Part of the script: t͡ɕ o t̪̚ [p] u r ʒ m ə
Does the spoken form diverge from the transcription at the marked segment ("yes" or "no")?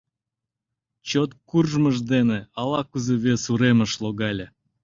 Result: yes